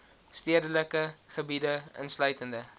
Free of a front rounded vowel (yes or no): no